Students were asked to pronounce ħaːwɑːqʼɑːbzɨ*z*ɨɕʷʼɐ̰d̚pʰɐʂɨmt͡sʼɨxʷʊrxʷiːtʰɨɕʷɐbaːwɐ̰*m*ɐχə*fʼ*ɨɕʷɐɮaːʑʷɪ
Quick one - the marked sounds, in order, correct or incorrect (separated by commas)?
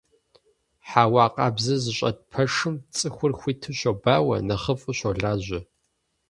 correct, incorrect, correct